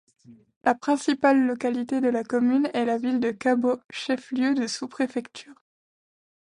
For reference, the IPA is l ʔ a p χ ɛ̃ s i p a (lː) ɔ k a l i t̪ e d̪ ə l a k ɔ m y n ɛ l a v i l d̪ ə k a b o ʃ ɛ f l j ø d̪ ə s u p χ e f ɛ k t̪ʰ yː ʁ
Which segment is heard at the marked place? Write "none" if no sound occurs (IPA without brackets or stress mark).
lː